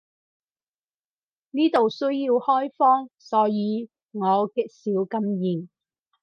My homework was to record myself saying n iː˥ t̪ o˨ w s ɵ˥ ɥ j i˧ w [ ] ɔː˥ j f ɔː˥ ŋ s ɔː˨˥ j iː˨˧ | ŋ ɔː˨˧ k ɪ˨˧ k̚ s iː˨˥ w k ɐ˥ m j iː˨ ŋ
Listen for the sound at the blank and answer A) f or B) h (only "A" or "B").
B